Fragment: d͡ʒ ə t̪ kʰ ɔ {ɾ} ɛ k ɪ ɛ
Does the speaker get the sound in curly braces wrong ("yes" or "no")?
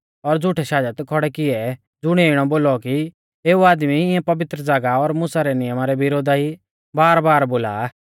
yes